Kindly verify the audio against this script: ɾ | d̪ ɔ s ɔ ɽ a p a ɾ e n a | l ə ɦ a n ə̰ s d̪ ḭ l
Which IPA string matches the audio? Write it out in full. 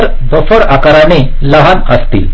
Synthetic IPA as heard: ɾ | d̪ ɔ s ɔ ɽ a k a ɾ a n e | l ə ɦ a n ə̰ s t̪ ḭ l